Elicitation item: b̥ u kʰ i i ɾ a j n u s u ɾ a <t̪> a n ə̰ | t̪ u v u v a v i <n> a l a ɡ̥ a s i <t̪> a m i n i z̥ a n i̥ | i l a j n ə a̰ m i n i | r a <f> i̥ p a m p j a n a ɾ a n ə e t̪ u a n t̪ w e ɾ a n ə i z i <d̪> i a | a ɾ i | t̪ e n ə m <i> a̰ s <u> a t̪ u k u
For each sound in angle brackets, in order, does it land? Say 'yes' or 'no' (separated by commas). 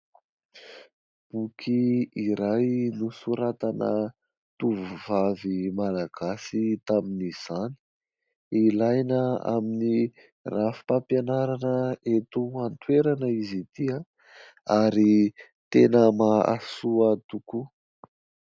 yes, no, yes, yes, no, no, yes